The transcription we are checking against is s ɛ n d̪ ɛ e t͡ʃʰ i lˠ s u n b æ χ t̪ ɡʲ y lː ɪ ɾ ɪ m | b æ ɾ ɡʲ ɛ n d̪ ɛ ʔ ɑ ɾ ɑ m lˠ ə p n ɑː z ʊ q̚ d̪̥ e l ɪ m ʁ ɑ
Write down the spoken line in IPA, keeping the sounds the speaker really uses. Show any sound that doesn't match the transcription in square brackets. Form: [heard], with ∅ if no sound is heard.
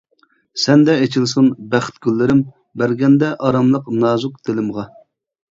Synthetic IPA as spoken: s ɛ n d̪ ɛ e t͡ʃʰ i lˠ s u n b æ χ t̪ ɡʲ y lː ɪ ɾ ɪ m | b æ ɾ ɡʲ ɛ n d̪ ɛ ʔ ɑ ɾ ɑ m lˠ ə [q] n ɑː z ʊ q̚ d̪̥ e l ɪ m ʁ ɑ

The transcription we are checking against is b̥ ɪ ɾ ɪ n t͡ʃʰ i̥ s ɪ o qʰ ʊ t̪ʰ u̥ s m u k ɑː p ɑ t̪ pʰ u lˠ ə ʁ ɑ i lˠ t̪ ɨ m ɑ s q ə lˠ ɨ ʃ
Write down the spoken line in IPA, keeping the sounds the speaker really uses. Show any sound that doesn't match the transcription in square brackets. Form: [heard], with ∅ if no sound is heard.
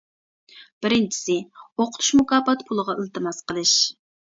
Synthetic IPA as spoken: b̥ ɪ ɾ ɪ n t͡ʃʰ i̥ s ɪ o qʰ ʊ t̪ʰ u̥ [ʃ] m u k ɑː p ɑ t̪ pʰ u lˠ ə ʁ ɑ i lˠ t̪ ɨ m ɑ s q ə lˠ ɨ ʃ

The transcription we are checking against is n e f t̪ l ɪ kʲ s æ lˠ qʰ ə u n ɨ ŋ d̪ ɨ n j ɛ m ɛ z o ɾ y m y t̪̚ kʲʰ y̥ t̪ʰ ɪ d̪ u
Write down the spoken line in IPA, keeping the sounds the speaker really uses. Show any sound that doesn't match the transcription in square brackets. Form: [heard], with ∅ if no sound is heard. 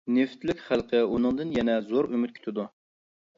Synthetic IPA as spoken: n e f t̪ l ɪ kʲ [χ] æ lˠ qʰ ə u n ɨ ŋ d̪ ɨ n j ɛ [n] ɛ z o ɾ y m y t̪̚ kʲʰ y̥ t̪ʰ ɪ d̪ u

